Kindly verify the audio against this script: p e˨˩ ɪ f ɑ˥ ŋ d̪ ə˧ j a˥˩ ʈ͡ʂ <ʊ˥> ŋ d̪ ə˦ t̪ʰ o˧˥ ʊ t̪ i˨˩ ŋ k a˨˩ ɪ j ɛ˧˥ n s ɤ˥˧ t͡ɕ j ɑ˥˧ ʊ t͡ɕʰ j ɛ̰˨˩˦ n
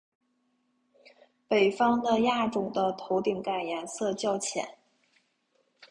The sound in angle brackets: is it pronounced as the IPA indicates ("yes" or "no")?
no